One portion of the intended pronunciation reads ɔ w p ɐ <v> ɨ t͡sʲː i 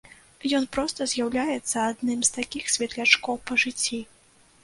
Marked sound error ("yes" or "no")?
yes